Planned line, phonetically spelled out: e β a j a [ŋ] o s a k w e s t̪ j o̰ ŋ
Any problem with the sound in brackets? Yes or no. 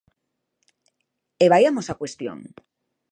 yes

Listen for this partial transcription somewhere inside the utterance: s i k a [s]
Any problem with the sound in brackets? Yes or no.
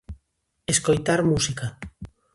yes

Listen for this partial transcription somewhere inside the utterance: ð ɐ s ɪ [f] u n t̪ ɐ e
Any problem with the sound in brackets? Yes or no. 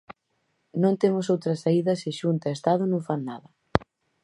yes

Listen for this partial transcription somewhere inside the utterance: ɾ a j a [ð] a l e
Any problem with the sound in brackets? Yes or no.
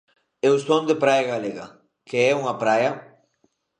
yes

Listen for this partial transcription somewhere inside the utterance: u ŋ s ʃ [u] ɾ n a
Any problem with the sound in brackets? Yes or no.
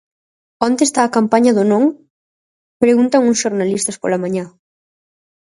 yes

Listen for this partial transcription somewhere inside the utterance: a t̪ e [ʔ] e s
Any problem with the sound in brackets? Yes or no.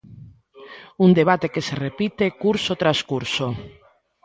yes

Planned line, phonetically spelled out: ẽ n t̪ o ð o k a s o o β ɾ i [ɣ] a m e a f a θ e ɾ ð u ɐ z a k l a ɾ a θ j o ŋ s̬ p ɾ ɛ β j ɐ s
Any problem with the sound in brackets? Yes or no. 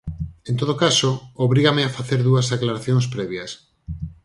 no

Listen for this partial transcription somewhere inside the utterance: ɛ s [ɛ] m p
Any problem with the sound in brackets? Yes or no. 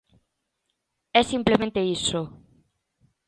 yes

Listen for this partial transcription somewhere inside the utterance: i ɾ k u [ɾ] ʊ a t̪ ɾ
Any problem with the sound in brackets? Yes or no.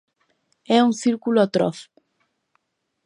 yes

